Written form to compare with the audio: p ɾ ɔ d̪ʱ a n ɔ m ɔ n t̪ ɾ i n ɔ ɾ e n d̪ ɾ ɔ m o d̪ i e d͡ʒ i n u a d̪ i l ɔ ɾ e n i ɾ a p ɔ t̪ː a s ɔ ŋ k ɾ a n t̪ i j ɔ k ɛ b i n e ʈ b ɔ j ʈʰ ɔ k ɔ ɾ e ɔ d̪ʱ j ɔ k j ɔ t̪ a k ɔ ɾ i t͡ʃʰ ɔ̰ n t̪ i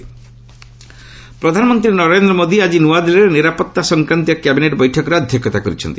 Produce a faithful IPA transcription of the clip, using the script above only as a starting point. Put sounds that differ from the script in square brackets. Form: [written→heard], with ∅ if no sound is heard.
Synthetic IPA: p ɾ ɔ d̪ʱ a n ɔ m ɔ n t̪ ɾ i n ɔ ɾ e n d̪ ɾ ɔ m o d̪ i [e→a] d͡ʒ i n u a d̪ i l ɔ ɾ e n i ɾ a p ɔ t̪ː a s ɔ ŋ k ɾ a n t̪ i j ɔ k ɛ b i n e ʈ b ɔ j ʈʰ ɔ k ɔ ɾ e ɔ d̪ʱ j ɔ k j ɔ t̪ a k ɔ ɾ i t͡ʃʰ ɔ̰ n t̪ i